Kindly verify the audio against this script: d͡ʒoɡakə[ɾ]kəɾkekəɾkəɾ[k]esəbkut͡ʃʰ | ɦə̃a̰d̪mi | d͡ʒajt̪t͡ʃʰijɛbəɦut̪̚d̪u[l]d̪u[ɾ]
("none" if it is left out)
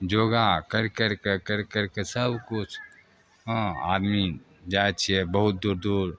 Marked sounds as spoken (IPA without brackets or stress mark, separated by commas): ɾ, k, ɾ, ɾ